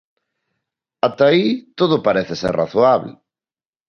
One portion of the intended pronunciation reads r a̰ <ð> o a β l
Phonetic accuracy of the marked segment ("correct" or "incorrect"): incorrect